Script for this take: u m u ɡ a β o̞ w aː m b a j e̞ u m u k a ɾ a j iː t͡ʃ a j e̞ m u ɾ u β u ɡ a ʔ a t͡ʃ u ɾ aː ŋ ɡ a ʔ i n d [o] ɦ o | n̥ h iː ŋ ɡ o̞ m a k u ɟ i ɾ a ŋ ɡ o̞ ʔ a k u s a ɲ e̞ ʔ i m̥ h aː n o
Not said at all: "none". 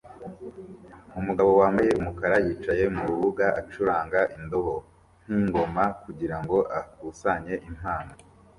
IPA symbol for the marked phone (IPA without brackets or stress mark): o